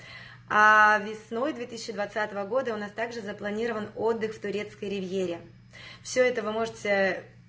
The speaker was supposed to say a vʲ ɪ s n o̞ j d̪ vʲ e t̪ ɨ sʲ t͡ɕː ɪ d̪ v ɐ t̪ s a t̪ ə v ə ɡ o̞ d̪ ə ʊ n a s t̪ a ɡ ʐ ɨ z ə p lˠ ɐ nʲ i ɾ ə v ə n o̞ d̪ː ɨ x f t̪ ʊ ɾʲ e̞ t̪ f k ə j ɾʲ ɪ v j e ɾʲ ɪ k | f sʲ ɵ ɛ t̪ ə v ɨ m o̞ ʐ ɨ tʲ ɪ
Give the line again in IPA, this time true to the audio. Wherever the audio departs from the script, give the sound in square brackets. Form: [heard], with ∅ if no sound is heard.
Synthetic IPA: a vʲ ɪ s n o̞ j d̪ vʲ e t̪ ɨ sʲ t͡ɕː ɪ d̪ v ɐ t̪ s a t̪ ə v ə ɡ o̞ d̪ ə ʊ n a s t̪ a ɡ ʐ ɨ z ə p lˠ ɐ nʲ i ɾ ə v ə n o̞ d̪ː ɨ x f t̪ ʊ ɾʲ e̞ t̪ [s] k ə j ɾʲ ɪ v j e ɾʲ ɪ [∅] | f sʲ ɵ ɛ t̪ ə v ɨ m o̞ ʐ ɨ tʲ ɪ

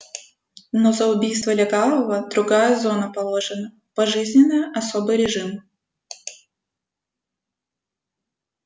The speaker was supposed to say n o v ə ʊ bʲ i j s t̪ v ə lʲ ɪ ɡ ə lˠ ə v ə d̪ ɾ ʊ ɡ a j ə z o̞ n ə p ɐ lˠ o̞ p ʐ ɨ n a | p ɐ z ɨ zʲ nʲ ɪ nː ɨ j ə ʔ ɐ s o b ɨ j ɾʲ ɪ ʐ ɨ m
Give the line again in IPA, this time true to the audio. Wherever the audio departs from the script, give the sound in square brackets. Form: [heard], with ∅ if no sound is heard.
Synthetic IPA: n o [z] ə ʊ bʲ i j s t̪ v ə lʲ ɪ ɡ [a] lˠ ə v ə d̪ ɾ ʊ ɡ a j ə z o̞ n ə p ɐ lˠ o̞ [∅] ʐ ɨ n [ə] | p ɐ [ʐ] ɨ zʲ nʲ ɪ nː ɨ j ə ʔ ɐ s o b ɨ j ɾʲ ɪ ʐ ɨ m

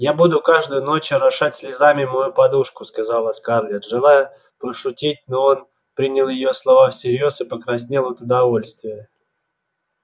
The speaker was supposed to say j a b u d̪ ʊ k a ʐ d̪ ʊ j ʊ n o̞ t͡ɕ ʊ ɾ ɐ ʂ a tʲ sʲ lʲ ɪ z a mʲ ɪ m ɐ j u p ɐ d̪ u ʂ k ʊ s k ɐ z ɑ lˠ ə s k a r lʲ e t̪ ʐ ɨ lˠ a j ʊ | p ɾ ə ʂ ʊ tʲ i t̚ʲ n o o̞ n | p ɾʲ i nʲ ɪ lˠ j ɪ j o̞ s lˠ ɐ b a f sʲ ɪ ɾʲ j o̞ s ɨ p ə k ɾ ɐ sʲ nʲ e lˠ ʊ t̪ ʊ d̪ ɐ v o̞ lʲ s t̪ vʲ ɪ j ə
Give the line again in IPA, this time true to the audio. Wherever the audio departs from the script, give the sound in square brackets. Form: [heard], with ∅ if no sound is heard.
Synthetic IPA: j a b u d̪ ʊ k a ʐ d̪ ʊ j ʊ n o̞ t͡ɕ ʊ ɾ ɐ ʂ a tʲ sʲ lʲ ɪ z a mʲ ɪ m ɐ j u p ɐ d̪ u ʂ k ʊ s k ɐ z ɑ lˠ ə s k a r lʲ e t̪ ʐ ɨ lˠ a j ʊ | p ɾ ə ʂ ʊ tʲ i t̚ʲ n o o̞ n | p ɾʲ i nʲ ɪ lˠ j ɪ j o̞ s lˠ ɐ [v] a f sʲ ɪ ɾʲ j o̞ s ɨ p ə k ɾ ɐ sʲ nʲ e lˠ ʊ t̪ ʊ d̪ ɐ v o̞ lʲ s t̪ vʲ ɪ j ə

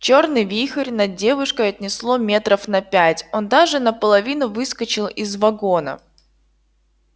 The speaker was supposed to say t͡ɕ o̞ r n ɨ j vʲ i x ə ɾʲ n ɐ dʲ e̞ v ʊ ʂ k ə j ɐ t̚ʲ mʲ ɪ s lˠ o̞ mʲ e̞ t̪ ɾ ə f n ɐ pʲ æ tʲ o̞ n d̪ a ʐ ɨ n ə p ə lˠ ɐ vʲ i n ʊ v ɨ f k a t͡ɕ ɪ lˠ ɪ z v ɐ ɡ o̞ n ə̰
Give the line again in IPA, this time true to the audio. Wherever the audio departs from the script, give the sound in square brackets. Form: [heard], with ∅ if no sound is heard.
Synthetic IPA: t͡ɕ o̞ r n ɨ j vʲ i x ə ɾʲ n ɐ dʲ e̞ v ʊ ʂ k ə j ɐ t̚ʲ [nʲ] ɪ s lˠ o̞ mʲ e̞ t̪ ɾ ə f n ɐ pʲ æ tʲ o̞ n d̪ a ʐ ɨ n ə p ə lˠ ɐ vʲ i n ʊ v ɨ [s] k [ə] t͡ɕ ɪ lˠ ɪ z v ɐ ɡ o̞ n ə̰

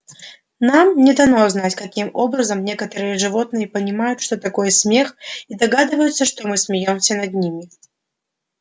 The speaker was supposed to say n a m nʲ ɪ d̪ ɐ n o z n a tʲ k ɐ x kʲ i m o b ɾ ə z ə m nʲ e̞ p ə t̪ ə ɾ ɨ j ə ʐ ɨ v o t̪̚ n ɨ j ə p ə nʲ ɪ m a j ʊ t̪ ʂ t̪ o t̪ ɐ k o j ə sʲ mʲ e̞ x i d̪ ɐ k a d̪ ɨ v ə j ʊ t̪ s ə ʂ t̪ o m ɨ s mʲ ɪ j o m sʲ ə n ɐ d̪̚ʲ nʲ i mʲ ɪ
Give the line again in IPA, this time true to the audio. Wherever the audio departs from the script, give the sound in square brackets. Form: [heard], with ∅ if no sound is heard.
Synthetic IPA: n a m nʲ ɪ d̪ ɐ n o z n a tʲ k ɐ [∅] kʲ i m o b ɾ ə z ə m nʲ e̞ [k] ə t̪ ə ɾ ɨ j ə ʐ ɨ v o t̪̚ n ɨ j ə p ə nʲ ɪ m a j ʊ t̪ ʂ t̪ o t̪ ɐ k o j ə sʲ mʲ e̞ x i d̪ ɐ [ɡ] a d̪ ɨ v ə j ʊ t̪ s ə ʂ t̪ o m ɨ s mʲ ɪ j o m sʲ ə n ɐ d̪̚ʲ nʲ i mʲ ɪ

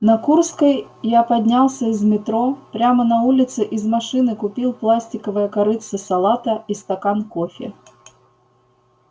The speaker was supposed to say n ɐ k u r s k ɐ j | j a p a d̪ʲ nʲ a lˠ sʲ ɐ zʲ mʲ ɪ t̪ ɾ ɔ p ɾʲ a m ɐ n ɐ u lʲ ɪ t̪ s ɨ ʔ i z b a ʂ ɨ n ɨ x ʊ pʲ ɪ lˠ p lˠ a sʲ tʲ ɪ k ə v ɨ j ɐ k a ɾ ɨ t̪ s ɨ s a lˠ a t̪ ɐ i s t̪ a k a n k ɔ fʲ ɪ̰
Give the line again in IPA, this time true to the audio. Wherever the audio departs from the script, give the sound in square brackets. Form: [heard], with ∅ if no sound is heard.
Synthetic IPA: n ɐ k u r s k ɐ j | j a p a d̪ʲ nʲ a lˠ sʲ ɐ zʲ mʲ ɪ t̪ ɾ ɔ p ɾʲ a m ɐ n ɐ u lʲ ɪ t̪ s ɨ ʔ i z [m] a ʂ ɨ n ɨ [k] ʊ pʲ [i] lˠ p lˠ a sʲ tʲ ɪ k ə v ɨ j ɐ k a ɾ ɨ t̪ s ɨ s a lˠ a t̪ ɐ i s t̪ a k a n k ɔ fʲ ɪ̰

